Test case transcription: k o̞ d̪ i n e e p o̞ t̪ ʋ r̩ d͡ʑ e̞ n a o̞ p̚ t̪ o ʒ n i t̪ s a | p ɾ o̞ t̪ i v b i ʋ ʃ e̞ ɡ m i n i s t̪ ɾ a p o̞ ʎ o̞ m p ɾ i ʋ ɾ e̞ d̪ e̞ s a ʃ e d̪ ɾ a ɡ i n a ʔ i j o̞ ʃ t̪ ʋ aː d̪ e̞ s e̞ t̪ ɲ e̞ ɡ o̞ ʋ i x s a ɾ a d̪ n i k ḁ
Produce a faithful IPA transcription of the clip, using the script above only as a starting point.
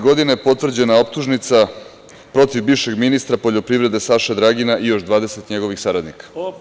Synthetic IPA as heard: ɡ o̞ d̪ i n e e p o̞ t̪ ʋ r̩ d͡ʑ e̞ n a o̞ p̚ t̪ u ʒ n i t̪ s a | p ɾ o̞ t̪ i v b i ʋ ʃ e̞ ɡ m i n i s t̪ ɾ a p o̞ ʎ o̞ p ɾ i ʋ ɾ e̞ d̪ e̞ s a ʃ e d̪ ɾ a ɡ i n a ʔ i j o̞ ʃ d̪ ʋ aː d̪ e̞ s e̞ t̪ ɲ e̞ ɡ o̞ ʋ i x s a ɾ a d̪ n i k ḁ